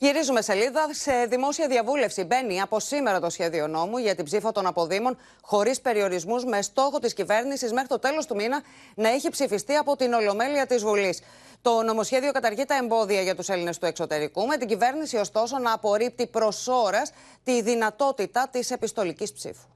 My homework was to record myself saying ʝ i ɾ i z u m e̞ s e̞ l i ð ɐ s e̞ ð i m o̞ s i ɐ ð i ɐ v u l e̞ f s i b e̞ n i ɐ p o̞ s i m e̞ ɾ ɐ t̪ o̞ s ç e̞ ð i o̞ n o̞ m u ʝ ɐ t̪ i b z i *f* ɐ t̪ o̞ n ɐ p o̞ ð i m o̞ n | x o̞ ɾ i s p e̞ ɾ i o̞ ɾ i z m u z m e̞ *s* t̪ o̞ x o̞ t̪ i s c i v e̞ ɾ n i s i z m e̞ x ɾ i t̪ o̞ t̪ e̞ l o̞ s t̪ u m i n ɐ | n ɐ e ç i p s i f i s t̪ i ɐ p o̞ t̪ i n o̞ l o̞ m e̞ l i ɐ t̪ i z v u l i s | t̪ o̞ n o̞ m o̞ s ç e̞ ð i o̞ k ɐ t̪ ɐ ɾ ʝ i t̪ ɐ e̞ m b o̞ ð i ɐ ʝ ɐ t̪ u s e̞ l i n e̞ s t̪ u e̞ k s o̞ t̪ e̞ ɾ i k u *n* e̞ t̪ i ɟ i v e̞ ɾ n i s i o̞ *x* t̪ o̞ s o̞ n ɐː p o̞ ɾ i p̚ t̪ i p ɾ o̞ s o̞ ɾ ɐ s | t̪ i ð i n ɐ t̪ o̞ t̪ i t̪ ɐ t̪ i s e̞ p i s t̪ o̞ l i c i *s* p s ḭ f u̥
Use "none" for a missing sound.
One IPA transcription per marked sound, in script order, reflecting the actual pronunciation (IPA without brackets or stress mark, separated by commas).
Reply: f, s, m, s, s